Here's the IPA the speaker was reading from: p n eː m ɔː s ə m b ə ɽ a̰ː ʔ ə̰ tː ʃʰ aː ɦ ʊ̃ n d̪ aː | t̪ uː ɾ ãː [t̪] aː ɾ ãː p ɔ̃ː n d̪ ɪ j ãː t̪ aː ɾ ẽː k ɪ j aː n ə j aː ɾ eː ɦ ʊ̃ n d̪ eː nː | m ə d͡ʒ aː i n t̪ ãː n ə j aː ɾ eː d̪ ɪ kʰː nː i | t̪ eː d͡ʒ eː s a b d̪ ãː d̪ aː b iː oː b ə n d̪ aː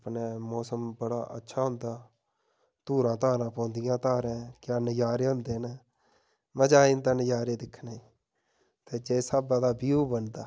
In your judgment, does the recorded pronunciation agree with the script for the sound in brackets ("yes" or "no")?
yes